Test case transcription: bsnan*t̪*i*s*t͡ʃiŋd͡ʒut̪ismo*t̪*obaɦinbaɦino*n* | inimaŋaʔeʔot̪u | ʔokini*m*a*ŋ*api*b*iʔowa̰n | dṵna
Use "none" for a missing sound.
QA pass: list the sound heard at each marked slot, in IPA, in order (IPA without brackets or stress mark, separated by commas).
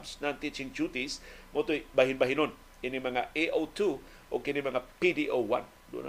t̪, none, t̪, n, m, ŋ, d